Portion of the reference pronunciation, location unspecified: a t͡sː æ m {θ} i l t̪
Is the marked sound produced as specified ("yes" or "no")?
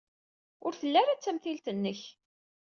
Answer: yes